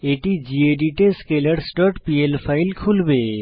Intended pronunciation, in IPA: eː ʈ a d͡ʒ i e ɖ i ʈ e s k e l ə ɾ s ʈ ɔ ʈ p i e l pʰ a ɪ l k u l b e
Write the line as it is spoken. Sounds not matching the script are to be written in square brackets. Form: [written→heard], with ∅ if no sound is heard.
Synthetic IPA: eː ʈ [a→i] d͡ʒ i e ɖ i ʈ e s k e l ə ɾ s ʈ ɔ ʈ p i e l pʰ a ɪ l [k→kʰ] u l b e